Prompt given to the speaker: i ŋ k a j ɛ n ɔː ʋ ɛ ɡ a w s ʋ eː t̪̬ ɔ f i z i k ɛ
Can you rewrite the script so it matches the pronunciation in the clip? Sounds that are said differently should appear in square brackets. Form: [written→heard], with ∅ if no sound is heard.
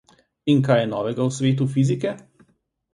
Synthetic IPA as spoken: i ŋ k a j ɛ n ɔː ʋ ɛ ɡ a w s ʋ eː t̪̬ [ɔ→u] f i z i k ɛ